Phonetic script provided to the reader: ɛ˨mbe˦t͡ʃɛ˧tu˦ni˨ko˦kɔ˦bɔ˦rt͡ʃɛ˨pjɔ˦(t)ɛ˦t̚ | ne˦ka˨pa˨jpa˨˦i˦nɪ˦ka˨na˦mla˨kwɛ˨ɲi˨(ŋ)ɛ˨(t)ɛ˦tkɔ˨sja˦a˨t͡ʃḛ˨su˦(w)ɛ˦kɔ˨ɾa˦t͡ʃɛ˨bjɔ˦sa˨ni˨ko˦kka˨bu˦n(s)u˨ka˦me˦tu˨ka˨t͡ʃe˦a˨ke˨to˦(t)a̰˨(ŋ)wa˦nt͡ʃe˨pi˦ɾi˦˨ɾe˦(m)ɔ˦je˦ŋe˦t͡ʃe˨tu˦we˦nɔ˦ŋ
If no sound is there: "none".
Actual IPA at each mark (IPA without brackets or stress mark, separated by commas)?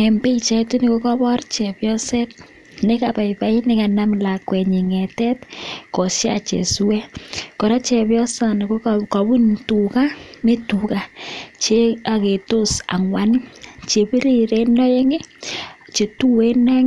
s, ŋ, t, w, t, s, ŋ, n